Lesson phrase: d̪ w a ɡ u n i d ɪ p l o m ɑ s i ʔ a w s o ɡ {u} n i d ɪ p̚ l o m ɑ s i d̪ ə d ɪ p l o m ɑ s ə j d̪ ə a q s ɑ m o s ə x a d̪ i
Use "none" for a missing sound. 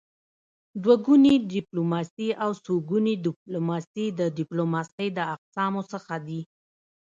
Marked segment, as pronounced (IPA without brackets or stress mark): u